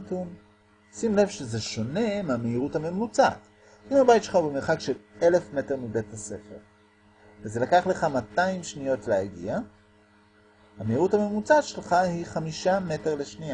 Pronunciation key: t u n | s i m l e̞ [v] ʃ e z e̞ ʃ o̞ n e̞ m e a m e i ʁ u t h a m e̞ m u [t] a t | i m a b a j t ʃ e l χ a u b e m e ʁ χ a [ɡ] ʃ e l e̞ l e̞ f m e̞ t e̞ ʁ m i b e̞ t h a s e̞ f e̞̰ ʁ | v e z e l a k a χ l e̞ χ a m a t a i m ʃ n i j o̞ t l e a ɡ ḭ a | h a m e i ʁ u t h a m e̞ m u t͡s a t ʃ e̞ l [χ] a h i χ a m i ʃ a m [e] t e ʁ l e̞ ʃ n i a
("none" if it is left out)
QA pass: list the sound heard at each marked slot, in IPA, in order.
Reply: v, t͡s, k, χ, e

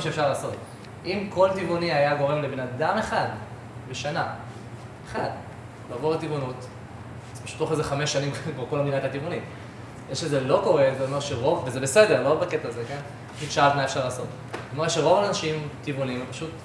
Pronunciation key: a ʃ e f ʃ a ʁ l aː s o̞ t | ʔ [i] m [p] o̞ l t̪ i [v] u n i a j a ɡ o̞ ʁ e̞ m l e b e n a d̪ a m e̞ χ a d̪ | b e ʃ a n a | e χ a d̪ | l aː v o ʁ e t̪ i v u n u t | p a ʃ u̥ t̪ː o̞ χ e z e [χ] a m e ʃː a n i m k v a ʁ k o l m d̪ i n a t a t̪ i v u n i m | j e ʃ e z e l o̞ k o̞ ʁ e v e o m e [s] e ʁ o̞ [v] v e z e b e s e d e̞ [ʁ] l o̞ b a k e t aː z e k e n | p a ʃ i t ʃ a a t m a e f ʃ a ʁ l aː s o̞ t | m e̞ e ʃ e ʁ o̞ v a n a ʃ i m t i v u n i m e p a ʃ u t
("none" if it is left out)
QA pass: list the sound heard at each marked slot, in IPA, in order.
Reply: i, k, v, χ, ʃ, v, ʁ

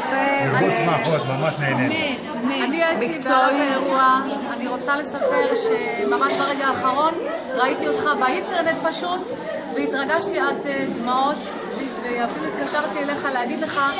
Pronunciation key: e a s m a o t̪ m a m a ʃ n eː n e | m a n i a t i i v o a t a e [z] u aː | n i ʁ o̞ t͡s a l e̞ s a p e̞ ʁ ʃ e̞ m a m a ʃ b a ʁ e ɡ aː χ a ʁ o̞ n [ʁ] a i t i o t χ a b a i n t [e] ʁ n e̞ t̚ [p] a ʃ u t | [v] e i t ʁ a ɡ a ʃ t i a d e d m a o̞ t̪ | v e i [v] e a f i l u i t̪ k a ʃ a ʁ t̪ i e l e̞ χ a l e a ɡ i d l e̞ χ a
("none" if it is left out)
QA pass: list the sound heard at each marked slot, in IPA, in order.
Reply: ʁ, ʁ, e, p, v, v

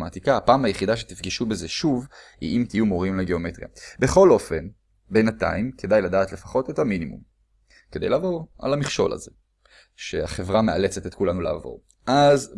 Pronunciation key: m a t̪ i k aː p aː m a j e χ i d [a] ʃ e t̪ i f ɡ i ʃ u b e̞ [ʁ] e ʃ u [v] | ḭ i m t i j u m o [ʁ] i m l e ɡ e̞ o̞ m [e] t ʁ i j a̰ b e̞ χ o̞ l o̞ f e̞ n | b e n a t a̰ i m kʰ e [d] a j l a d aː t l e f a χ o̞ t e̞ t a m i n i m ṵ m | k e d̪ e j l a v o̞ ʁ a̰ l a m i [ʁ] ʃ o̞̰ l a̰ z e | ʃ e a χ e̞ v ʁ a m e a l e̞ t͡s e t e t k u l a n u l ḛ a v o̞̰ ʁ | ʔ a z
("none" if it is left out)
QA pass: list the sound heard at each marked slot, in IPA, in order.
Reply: a, z, v, ʁ, e, d, χ

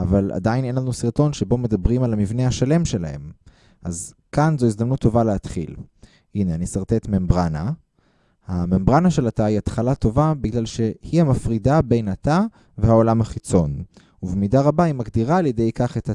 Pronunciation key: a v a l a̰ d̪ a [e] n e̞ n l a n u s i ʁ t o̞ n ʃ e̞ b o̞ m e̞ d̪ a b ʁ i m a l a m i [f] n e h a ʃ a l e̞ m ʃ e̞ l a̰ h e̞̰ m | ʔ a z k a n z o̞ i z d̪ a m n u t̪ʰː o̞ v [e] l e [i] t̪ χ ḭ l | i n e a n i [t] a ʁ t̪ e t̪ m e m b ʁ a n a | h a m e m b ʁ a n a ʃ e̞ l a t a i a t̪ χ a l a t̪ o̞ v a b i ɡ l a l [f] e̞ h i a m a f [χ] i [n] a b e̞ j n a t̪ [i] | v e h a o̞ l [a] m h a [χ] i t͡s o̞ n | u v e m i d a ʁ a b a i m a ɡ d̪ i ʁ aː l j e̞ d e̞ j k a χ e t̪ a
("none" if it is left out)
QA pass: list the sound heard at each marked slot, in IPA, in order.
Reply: i, v, a, a, s, ʃ, ʁ, d, a, a, χ

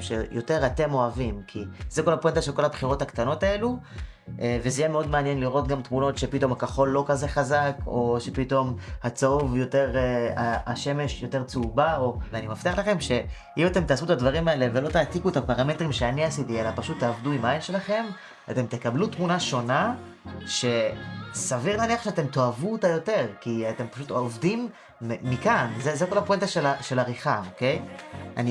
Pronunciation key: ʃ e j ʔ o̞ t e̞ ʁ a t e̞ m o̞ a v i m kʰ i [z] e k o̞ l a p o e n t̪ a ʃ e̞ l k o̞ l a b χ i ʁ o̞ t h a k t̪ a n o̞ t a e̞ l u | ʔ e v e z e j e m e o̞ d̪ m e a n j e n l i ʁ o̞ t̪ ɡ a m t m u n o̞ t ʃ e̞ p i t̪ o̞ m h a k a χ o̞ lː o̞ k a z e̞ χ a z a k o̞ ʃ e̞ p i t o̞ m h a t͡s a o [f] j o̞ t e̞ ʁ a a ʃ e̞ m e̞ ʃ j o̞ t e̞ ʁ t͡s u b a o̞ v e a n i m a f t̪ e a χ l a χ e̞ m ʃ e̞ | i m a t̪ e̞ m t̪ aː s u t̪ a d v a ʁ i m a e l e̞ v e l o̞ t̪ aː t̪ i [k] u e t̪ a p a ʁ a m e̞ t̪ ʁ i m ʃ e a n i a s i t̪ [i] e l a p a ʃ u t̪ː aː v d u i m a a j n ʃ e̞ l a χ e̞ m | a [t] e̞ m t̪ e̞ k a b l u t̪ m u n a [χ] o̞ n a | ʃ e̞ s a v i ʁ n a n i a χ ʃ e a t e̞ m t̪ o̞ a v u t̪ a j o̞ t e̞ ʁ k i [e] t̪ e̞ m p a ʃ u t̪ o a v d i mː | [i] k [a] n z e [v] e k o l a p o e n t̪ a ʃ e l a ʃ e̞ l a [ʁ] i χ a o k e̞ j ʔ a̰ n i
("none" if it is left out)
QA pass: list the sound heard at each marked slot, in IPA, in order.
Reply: z, v, k, i, t, ʃ, a, i, a, z, ʁ

